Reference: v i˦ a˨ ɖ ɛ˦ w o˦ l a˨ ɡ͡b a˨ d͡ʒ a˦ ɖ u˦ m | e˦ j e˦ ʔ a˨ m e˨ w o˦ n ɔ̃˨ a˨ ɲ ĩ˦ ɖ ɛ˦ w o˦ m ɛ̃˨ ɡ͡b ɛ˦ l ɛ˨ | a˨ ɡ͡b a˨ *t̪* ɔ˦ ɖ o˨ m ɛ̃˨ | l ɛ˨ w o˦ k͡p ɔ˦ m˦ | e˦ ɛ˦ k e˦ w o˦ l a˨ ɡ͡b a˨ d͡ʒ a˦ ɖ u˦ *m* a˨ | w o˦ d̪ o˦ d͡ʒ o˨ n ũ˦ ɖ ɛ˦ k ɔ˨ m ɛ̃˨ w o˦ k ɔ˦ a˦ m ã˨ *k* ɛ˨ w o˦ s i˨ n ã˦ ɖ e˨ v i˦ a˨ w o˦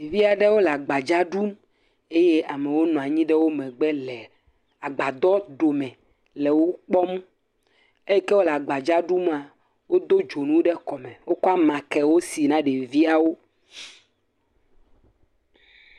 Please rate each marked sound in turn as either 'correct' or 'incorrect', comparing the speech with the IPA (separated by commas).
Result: incorrect, correct, correct